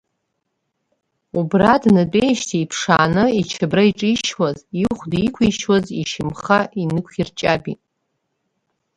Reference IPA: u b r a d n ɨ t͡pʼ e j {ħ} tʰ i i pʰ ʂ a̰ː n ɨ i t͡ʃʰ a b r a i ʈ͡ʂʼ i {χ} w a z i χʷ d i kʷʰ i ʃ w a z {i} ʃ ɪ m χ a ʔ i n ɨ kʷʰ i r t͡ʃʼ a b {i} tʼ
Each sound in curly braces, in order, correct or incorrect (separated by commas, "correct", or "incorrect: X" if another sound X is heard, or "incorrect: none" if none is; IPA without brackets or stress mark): incorrect: ʃ, incorrect: ʃ, correct, correct